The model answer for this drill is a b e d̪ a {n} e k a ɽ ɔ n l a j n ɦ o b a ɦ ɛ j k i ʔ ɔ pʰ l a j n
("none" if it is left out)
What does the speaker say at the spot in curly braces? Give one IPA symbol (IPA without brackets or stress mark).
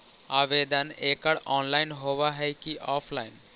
n